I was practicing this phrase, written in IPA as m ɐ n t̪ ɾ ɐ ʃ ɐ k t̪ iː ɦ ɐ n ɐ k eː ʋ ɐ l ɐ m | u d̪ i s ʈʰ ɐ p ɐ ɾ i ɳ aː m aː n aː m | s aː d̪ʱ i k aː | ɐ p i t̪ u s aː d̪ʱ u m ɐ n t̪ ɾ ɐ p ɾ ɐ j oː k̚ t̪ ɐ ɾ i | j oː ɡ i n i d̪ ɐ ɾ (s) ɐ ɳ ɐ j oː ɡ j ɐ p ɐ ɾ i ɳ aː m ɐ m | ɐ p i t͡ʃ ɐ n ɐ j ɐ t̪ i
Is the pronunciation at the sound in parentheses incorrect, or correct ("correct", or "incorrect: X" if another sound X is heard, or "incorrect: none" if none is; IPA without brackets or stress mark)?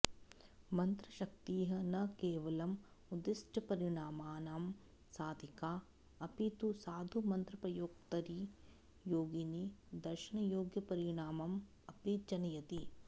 incorrect: ʃ